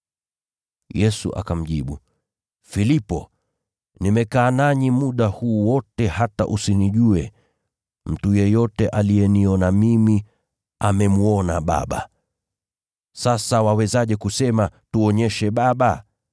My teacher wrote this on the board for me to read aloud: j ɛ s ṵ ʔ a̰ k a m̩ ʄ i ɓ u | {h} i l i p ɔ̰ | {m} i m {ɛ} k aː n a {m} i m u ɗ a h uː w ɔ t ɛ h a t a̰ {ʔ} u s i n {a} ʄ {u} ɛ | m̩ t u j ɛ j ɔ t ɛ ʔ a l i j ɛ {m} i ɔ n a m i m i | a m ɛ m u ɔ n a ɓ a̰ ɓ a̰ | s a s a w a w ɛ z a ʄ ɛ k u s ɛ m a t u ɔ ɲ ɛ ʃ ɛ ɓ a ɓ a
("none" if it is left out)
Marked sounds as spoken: f, n, ɛ, ɲ, ʔ, i, u, n

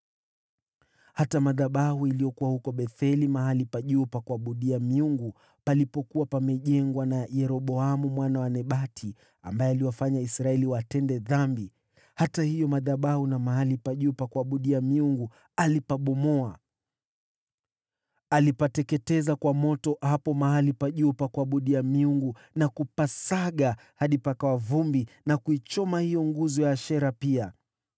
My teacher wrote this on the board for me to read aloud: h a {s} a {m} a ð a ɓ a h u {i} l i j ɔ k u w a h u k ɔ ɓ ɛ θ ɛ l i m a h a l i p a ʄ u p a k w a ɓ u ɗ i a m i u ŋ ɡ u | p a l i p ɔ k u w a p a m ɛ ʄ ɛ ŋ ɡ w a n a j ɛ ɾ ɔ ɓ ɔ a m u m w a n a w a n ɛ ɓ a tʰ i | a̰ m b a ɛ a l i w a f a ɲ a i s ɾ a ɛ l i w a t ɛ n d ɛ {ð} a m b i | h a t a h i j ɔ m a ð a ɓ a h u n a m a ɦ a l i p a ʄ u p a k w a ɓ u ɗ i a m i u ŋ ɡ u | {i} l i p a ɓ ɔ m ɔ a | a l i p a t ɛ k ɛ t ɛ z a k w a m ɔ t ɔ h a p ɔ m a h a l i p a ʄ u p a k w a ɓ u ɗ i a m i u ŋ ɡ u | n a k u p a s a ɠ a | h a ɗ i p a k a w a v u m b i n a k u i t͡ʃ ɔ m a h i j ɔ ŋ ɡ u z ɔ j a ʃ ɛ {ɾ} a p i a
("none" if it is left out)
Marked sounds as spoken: t, m, i, ð, a, ɾ

